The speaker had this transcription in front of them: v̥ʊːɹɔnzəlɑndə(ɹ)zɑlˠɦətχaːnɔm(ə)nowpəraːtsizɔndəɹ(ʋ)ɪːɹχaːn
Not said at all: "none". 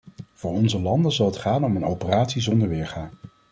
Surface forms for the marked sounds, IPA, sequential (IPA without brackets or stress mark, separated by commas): none, ə, ʋ